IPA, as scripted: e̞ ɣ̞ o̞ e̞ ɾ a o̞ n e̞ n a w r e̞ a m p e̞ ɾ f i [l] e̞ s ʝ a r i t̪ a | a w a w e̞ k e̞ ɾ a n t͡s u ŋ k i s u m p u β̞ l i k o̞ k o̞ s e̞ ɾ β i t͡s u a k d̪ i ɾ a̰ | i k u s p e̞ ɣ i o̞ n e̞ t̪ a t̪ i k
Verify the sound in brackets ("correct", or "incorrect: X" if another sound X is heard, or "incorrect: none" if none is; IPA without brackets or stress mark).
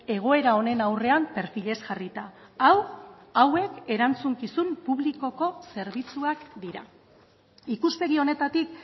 incorrect: ʎ